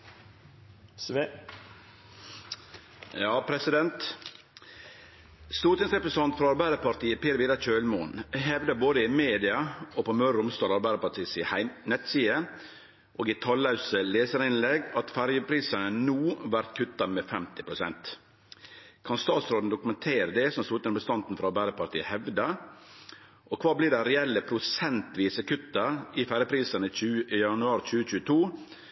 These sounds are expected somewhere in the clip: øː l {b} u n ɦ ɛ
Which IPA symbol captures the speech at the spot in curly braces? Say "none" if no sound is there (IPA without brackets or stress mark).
m